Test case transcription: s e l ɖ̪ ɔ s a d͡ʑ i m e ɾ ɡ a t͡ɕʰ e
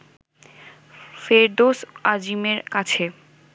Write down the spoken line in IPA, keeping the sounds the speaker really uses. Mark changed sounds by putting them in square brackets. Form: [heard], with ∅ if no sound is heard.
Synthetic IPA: [f] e [ɾ] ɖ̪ [o] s a d͡ʑ i m e ɾ [k] a t͡ɕʰ e